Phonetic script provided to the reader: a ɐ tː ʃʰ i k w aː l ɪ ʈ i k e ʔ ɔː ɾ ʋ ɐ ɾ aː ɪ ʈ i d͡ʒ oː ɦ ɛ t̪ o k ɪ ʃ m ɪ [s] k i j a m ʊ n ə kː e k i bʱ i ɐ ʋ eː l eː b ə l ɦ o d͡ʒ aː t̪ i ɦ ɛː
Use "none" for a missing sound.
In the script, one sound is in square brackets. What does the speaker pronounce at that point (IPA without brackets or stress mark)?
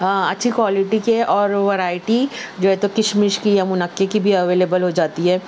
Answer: ʃ